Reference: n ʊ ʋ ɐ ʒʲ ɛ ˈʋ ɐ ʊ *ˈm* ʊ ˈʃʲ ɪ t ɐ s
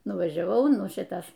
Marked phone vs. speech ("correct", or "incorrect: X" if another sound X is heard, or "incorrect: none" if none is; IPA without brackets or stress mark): incorrect: n